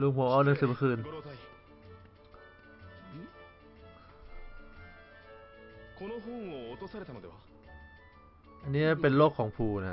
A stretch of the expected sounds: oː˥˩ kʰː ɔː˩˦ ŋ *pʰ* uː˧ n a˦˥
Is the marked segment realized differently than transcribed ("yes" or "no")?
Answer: no